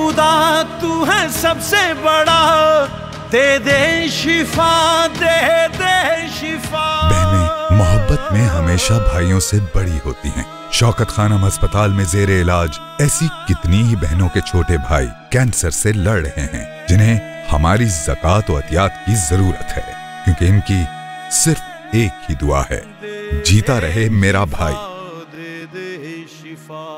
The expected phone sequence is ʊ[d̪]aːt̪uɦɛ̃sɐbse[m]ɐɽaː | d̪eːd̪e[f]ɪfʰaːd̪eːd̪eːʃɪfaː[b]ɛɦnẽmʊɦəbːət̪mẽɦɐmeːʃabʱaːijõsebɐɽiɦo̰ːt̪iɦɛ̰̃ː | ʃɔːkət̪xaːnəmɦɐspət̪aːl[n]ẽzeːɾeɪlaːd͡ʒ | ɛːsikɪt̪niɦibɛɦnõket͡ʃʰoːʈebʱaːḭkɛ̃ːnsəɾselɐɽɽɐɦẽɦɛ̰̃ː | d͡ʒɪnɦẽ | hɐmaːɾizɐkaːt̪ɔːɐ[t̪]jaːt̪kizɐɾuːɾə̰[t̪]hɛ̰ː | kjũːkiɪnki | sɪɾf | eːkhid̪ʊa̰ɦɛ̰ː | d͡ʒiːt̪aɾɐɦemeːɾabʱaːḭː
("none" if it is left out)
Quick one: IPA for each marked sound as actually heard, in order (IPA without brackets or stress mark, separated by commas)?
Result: d̪, b, ʃ, b, m, t̪, t̪